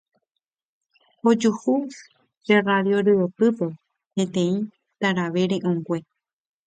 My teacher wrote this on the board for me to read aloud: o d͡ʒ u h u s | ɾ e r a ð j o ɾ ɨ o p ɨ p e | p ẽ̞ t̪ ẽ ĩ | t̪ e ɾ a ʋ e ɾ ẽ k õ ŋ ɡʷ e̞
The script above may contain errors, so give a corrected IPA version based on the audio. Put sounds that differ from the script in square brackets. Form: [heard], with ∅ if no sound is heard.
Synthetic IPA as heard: o d͡ʒ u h u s | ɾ e r a ð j o ɾ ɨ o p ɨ p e | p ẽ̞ t̪ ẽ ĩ | t̪ [a] ɾ a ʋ e ɾ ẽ [ʔ] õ ŋ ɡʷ e̞